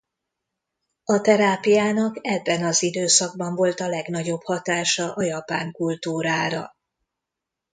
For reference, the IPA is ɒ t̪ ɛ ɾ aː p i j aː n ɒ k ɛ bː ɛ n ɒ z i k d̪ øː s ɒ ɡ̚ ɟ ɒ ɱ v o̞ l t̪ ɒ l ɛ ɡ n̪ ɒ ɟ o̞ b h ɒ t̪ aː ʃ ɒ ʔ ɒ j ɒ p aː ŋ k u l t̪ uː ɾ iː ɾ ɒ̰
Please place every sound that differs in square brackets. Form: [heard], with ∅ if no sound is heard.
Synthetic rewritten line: ɒ t̪ ɛ ɾ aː p i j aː n ɒ k ɛ bː ɛ n ɒ z i [∅] d̪ øː s ɒ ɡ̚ [b] ɒ ɱ v o̞ l t̪ ɒ l ɛ ɡ n̪ ɒ ɟ o̞ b h ɒ t̪ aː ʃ ɒ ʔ ɒ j ɒ p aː ŋ k u l t̪ uː ɾ [aː] ɾ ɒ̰

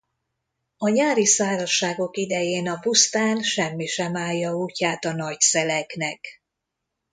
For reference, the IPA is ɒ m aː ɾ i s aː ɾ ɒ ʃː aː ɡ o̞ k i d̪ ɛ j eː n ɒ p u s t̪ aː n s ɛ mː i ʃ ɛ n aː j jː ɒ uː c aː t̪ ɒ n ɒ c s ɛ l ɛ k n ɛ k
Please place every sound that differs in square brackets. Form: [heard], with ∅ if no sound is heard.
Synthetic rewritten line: ɒ [ɲ] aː ɾ i s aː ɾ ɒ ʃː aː ɡ o̞ k i d̪ ɛ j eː n ɒ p u s t̪ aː n [ʃ] ɛ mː i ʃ ɛ [m] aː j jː ɒ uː c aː t̪ ɒ n ɒ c s ɛ l ɛ k n ɛ k

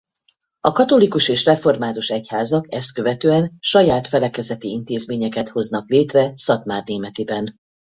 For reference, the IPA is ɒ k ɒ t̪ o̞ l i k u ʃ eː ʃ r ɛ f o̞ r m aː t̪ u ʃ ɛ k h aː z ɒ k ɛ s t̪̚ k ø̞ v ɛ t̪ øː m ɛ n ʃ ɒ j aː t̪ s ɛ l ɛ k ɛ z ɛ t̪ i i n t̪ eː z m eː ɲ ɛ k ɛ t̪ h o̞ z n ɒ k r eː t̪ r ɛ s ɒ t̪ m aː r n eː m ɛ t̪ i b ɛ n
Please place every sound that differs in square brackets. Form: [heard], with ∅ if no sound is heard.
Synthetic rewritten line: ɒ k ɒ t̪ o̞ l i k u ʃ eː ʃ r ɛ f o̞ r m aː t̪ u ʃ ɛ [c] h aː z ɒ k ɛ s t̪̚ k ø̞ v ɛ t̪ øː [∅] ɛ n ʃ ɒ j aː t̪ [f] ɛ l ɛ k ɛ z ɛ t̪ i i n t̪ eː z m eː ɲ ɛ k ɛ t̪ h o̞ z n ɒ k [l] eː t̪ r ɛ s ɒ t̪ m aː r n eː m ɛ t̪ i b ɛ n

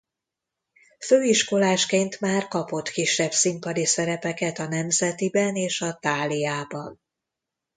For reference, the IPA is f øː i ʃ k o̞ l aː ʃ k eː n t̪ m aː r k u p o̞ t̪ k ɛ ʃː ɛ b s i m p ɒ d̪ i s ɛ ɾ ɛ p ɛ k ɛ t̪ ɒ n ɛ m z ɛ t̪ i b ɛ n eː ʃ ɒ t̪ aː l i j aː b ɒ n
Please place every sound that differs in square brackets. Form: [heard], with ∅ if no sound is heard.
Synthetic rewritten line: f øː i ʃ k o̞ l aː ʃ k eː n t̪ m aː r k [ɒ] p o̞ t̪ k [i] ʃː ɛ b s i m p ɒ d̪ i s ɛ ɾ ɛ p ɛ k ɛ t̪ ɒ n ɛ m z ɛ t̪ i b ɛ n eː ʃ ɒ t̪ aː l i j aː b ɒ n

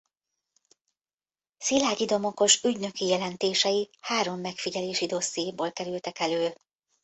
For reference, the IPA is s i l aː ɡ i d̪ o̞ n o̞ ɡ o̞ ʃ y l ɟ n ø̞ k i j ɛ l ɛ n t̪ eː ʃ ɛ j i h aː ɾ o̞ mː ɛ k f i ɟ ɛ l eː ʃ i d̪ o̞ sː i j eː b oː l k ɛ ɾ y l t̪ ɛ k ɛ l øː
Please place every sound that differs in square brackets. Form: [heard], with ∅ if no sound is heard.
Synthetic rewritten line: s i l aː [ɟ] i d̪ o̞ [m] o̞ [k] o̞ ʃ y [∅] ɟ n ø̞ k i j ɛ l ɛ n t̪ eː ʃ ɛ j i h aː ɾ o̞ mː ɛ k f i ɟ ɛ l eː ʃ i d̪ o̞ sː i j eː b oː l k ɛ ɾ y l t̪ ɛ k ɛ l øː

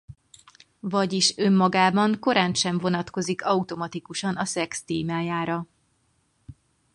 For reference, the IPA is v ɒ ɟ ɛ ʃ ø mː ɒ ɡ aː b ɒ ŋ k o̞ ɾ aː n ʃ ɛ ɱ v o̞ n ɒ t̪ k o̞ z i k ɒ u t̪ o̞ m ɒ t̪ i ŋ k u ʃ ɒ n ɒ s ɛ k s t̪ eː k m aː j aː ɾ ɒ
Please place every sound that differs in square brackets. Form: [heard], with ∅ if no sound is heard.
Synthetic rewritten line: v ɒ ɟ [i] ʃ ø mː ɒ ɡ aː b ɒ ŋ k o̞ ɾ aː n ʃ ɛ ɱ v o̞ n ɒ t̪ k o̞ z i k ɒ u t̪ o̞ m ɒ t̪ i [∅] k u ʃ ɒ n ɒ s ɛ k s t̪ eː [∅] m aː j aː ɾ ɒ

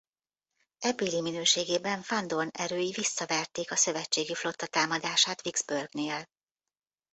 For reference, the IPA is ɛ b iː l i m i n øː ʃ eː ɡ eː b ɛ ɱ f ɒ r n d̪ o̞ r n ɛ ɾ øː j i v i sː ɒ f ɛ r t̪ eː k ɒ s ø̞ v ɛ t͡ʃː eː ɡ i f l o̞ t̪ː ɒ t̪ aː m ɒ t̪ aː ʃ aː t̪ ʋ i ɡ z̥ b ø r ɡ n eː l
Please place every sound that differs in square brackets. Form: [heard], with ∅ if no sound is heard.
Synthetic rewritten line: ɛ b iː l i m i n øː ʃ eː ɡ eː b ɛ ɱ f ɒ [∅] n d̪ o̞ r n ɛ ɾ øː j i v i sː ɒ [v] ɛ r t̪ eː k ɒ s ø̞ v ɛ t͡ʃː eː ɡ i f l o̞ t̪ː ɒ t̪ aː m ɒ [d̪] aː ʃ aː t̪ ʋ i ɡ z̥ b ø r ɡ n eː l

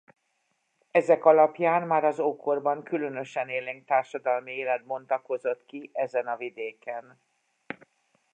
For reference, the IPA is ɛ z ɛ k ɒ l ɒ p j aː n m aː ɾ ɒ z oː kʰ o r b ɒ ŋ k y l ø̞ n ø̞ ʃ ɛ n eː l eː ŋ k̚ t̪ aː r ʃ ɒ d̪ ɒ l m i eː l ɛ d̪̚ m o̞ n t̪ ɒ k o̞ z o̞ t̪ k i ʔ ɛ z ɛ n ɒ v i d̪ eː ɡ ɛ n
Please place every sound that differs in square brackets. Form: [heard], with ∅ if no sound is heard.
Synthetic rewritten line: ɛ z ɛ k ɒ l ɒ p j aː n m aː ɾ ɒ z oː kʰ o r b ɒ ŋ k y l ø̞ n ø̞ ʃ ɛ n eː l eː ŋ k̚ t̪ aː r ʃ ɒ d̪ ɒ l m i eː l ɛ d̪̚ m o̞ n t̪ ɒ k o̞ z o̞ t̪ k i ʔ ɛ z ɛ n ɒ v i d̪ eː [k] ɛ n

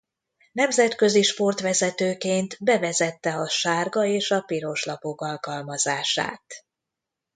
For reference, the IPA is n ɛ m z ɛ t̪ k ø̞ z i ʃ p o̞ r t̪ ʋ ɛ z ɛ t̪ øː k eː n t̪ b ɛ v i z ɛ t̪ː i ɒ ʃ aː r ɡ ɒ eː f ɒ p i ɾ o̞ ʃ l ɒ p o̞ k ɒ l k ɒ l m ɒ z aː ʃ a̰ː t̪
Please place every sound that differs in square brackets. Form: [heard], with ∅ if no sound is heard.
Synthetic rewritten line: n ɛ m z ɛ t̪ k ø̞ z i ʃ p o̞ r t̪ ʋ ɛ z ɛ t̪ øː k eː n t̪ b ɛ v [ɛ] z ɛ t̪ː [ɛ] ɒ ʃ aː r ɡ ɒ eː [ʃ] ɒ p i ɾ o̞ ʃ l ɒ p o̞ k ɒ l k ɒ l m ɒ z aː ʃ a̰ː t̪

